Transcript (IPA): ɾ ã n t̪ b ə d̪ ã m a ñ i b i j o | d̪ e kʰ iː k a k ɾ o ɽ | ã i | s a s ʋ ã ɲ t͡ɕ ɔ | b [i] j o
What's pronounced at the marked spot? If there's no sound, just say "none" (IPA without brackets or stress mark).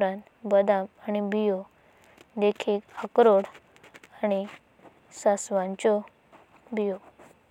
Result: i